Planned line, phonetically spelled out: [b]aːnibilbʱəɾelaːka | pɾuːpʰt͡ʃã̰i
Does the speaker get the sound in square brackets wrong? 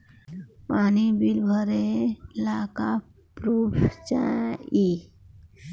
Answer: yes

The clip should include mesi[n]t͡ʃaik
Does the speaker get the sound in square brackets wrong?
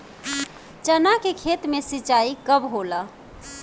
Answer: yes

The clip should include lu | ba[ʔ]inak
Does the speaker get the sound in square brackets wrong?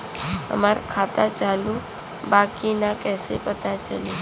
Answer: yes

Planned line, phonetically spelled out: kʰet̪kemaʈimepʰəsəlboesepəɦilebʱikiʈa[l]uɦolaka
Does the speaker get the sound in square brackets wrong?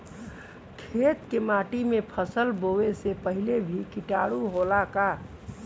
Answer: yes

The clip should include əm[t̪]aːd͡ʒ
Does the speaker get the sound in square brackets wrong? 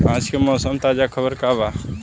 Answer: no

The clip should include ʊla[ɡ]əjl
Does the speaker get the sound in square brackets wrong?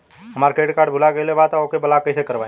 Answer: no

